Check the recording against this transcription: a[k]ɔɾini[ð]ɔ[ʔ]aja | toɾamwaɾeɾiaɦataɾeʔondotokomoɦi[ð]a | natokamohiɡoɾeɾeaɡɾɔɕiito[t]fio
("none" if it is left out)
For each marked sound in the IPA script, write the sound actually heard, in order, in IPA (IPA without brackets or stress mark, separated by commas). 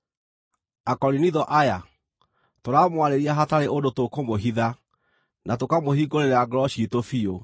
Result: k, ð, ʔ, ð, none